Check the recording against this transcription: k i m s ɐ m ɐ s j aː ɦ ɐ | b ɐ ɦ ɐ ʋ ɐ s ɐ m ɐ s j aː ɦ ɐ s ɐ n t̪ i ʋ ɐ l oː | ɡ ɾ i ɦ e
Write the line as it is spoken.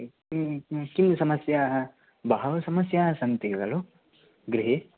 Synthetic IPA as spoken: k i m s ɐ m ɐ s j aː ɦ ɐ | b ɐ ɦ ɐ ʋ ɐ s ɐ m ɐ s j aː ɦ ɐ s ɐ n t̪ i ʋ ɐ l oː | ɡ ɾ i ɦ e